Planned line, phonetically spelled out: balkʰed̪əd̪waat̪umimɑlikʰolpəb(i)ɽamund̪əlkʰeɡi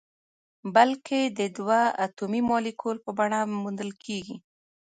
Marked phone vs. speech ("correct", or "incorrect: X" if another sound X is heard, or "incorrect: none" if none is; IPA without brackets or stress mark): incorrect: a